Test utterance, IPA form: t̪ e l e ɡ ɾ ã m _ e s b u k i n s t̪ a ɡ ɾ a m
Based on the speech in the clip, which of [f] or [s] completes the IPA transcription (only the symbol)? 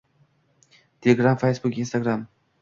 f